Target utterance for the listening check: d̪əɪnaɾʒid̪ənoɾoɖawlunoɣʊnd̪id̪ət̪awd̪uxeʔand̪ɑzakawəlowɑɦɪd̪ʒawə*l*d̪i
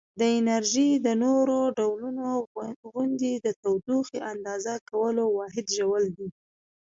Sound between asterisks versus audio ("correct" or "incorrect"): correct